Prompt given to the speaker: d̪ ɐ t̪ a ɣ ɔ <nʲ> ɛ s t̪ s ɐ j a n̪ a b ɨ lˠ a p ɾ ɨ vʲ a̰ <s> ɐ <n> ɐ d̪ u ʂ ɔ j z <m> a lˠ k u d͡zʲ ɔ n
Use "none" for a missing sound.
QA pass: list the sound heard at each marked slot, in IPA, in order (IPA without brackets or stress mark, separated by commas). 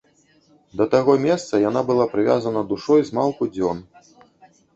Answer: mʲ, z, n, m